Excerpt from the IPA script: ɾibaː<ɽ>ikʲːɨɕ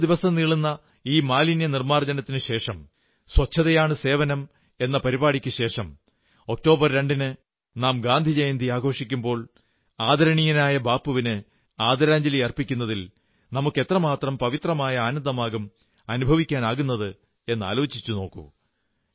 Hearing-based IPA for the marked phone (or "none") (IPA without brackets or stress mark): ɽ